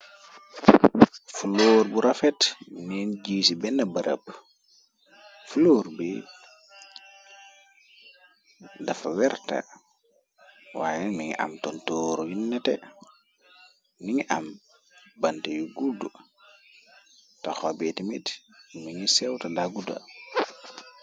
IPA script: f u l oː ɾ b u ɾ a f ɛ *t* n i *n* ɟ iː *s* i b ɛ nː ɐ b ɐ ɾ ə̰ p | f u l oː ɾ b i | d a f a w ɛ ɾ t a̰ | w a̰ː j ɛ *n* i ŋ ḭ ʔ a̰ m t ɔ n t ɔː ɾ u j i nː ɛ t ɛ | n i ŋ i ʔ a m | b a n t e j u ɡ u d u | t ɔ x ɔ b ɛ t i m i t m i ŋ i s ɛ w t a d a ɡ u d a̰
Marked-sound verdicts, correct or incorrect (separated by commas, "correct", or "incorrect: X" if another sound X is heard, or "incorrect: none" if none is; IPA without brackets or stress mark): correct, correct, correct, incorrect: m